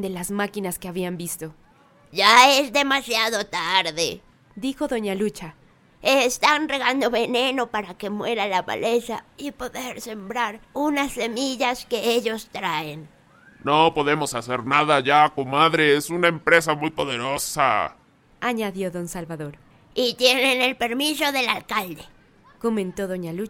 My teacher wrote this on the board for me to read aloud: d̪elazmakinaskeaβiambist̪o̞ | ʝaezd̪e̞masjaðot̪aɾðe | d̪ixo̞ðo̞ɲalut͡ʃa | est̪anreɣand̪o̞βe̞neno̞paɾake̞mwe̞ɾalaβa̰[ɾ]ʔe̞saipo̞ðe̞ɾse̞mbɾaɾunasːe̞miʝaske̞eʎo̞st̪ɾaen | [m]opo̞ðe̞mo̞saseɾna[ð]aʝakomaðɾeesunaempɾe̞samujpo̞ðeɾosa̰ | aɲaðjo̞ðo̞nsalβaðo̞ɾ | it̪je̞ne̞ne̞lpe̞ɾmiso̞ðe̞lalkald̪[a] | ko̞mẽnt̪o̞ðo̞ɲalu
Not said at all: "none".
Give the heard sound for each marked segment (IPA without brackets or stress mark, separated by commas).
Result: l, n, ð, e